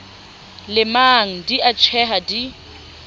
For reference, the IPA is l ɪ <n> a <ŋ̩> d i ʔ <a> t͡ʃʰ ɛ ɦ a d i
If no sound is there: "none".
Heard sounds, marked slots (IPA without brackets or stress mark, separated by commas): m, ŋ̩, a